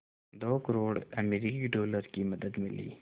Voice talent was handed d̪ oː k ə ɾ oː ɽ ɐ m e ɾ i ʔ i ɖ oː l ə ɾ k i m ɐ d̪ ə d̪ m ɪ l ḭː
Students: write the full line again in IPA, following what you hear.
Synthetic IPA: d̪ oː k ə ɾ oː ɽ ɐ m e ɾ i k i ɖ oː l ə ɾ k i m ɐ d̪ ə d̪ m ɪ l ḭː